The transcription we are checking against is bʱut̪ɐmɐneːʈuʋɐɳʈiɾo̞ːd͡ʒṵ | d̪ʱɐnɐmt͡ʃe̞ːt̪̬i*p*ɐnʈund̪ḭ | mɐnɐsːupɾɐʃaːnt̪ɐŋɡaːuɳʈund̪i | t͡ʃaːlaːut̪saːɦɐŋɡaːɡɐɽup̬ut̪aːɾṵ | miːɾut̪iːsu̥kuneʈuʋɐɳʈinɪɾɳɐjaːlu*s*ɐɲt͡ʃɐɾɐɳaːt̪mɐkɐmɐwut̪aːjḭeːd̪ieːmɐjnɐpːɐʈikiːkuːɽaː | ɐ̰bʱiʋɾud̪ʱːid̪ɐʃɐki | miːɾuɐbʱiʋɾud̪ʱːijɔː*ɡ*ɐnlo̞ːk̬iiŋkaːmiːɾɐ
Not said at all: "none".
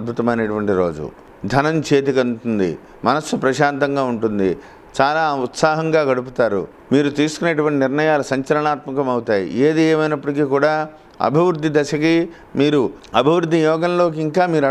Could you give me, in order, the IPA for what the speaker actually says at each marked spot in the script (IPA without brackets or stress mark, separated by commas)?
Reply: k, s, ɡ